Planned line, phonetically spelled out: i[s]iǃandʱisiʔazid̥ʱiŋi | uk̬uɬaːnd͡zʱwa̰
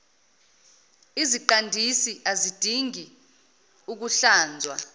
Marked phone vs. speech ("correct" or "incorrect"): incorrect